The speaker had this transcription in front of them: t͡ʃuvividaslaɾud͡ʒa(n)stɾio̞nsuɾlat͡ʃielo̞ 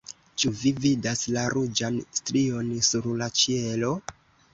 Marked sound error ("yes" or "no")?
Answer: no